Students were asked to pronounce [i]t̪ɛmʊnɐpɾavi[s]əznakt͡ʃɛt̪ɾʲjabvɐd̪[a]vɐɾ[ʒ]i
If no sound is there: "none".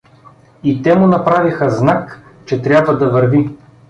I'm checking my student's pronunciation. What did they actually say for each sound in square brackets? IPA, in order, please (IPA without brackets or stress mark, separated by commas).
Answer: i, x, ɐ, v